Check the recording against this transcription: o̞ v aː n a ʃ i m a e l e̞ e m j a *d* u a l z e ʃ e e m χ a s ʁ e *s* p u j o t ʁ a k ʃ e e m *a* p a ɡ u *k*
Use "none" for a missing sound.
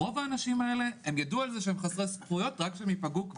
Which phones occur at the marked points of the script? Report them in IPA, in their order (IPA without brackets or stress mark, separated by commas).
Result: d, s, i, k